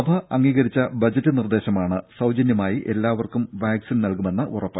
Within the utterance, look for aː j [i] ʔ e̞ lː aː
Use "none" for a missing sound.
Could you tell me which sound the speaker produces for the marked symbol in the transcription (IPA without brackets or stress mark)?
i